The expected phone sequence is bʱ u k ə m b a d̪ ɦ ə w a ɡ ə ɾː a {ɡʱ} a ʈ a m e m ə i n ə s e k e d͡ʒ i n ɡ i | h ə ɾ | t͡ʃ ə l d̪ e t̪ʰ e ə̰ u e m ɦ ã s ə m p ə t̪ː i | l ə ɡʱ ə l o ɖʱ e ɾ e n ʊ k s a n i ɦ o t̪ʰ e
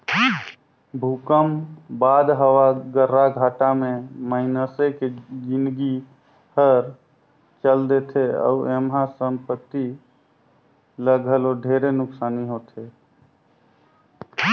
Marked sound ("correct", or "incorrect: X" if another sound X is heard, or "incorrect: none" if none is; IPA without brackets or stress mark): correct